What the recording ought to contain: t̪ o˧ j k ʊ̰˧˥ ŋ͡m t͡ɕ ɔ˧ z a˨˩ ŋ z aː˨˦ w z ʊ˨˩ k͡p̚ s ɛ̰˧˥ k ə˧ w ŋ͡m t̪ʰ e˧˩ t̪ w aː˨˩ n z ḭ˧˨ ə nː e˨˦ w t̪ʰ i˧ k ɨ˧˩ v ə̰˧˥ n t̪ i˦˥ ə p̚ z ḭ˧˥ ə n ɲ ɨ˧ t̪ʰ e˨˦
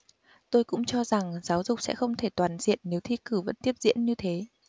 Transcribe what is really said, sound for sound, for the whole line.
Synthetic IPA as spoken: t̪ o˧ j k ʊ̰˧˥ ŋ͡m t͡ɕ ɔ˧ z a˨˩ ŋ z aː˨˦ w z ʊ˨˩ k͡p̚ s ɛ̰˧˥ x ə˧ w ŋ͡m t̪ʰ e˧˩ t̪ w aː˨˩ n z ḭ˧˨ ə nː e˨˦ w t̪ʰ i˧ k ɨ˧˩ v ə̰˧˥ n t̪ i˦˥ ə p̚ z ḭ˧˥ ə n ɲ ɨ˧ t̪ʰ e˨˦